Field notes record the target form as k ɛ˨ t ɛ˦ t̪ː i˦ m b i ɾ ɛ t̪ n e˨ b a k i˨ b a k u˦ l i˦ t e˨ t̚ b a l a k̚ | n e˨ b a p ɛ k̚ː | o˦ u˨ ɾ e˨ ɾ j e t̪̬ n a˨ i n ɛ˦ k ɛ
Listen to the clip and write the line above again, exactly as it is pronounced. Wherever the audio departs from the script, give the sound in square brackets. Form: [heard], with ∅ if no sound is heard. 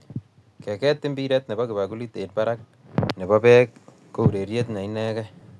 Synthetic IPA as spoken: k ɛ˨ [k] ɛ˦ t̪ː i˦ m b i ɾ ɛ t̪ n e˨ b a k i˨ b a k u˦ l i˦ t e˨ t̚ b a [ɾ] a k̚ | n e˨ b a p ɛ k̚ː | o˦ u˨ ɾ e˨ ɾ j e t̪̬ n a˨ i n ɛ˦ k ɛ